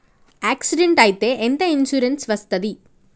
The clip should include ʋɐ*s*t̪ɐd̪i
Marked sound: correct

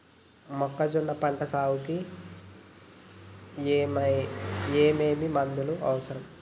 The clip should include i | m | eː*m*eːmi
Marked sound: correct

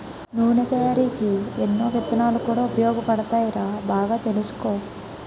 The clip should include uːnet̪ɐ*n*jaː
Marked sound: incorrect: none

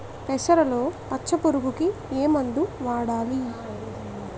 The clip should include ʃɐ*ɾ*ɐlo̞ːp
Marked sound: correct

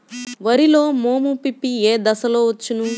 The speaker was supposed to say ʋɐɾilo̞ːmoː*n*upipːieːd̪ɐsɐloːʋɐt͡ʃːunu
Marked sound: incorrect: m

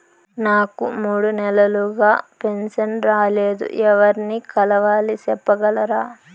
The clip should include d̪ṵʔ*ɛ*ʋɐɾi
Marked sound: correct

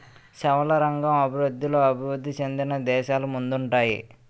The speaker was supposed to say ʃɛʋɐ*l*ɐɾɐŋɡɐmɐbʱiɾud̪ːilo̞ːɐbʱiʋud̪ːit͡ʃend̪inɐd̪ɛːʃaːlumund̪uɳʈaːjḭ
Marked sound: correct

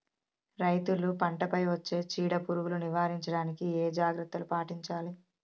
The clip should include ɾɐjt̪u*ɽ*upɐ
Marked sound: incorrect: l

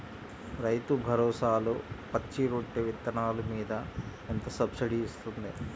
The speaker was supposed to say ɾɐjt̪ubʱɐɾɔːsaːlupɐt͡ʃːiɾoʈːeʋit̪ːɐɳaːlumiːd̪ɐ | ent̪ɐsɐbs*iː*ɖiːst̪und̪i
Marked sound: incorrect: i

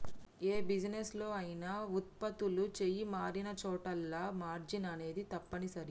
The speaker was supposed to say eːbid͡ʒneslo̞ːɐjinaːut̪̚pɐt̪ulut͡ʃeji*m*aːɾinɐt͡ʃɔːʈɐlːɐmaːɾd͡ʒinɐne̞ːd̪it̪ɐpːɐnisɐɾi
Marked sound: correct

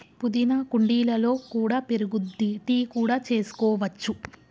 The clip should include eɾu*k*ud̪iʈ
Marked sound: incorrect: ɡ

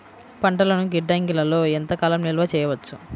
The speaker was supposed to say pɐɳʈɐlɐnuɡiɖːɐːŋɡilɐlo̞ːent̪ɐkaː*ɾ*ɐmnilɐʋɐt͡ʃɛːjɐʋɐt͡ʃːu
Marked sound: incorrect: l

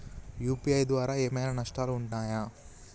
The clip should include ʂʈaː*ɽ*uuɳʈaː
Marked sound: incorrect: l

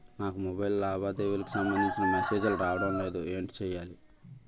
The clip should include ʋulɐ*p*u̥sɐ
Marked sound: incorrect: k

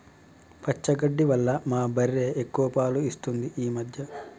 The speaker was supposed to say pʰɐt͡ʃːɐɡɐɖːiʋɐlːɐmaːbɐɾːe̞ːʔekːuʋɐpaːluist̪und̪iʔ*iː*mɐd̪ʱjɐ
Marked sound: correct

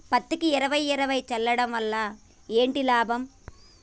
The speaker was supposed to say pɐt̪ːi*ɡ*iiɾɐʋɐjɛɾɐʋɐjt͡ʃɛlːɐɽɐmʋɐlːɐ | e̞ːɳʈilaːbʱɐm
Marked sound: incorrect: k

